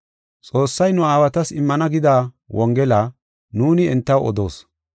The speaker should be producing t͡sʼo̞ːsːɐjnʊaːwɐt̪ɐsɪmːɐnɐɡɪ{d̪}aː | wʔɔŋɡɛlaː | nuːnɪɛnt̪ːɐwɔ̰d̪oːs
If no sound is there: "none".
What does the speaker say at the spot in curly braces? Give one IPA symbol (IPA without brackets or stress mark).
d̪